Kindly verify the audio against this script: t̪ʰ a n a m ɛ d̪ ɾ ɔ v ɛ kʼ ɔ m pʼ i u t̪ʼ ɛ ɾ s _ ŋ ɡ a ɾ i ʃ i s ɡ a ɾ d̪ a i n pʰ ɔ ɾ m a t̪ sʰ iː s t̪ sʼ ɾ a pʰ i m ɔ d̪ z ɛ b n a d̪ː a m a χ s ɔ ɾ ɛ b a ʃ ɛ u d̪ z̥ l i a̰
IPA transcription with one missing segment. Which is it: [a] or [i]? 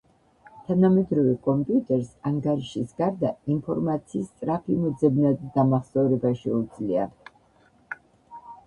a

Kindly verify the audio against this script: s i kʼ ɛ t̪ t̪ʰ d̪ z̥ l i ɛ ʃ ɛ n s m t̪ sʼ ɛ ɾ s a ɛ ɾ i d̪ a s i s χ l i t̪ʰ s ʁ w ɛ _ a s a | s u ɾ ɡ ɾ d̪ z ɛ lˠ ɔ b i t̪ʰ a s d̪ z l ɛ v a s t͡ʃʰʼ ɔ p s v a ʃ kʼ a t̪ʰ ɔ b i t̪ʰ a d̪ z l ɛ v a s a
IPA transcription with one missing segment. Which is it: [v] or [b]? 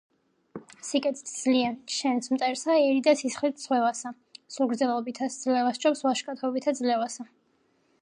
v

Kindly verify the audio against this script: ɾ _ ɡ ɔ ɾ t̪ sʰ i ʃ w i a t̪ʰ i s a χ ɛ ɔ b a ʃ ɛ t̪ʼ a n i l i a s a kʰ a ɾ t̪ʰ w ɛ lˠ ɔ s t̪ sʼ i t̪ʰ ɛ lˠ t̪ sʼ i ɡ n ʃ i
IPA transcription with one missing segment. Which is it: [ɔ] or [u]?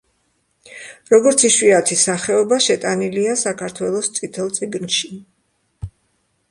ɔ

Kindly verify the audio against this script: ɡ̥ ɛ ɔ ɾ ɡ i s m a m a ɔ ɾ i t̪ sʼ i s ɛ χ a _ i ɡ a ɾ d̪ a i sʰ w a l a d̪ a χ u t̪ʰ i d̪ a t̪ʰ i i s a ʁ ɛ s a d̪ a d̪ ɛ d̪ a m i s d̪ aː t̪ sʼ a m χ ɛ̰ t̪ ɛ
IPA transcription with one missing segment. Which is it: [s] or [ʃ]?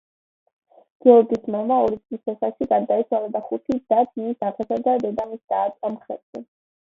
ʃ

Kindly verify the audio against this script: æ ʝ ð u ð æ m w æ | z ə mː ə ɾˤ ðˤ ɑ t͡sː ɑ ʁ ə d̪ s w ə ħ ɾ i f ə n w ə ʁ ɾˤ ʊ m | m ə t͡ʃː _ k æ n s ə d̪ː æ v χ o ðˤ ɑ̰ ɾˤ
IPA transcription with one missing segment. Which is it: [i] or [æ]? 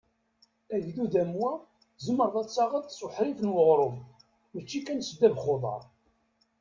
i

